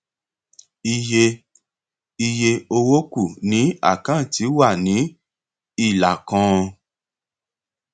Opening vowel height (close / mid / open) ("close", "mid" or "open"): close